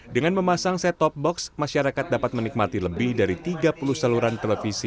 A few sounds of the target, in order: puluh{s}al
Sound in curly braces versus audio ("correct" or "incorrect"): correct